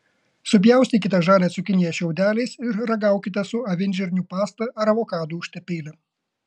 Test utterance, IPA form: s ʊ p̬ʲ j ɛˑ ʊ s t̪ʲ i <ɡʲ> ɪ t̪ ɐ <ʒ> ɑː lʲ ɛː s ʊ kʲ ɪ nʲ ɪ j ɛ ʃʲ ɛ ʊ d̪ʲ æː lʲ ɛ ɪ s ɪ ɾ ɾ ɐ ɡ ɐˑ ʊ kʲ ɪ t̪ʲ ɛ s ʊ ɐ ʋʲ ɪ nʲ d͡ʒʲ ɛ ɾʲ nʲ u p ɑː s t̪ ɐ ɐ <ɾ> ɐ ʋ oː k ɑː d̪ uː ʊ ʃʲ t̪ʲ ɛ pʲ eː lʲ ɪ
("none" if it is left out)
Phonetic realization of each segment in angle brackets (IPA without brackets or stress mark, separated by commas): kʲ, ʒ, ɾ